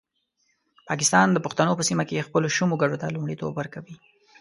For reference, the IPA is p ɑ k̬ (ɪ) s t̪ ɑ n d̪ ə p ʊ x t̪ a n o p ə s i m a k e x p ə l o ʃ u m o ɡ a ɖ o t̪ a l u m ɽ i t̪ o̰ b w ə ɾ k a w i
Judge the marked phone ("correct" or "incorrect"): correct